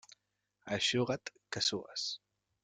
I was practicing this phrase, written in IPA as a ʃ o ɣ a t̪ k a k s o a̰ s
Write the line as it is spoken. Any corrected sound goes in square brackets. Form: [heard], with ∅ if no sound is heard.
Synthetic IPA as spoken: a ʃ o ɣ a t̪ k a [∅] s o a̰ s